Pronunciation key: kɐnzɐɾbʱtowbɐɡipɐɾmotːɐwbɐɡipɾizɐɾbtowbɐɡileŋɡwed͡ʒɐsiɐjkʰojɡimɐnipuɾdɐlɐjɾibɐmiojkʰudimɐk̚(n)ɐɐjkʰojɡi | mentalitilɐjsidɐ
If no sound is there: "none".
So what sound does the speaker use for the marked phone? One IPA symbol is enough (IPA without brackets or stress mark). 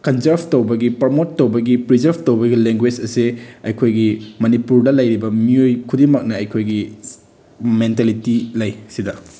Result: n